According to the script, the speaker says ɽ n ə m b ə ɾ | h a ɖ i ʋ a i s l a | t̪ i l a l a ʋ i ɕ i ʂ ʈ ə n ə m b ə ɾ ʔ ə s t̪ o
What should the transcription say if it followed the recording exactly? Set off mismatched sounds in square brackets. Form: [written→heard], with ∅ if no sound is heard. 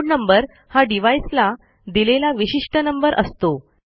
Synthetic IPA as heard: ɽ n ə m b ə ɾ | h a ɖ i ʋ a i s l a | [t̪→d̪] i l [a→e] l a ʋ i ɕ i ʂ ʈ ə n ə m b ə ɾ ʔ ə s t̪ o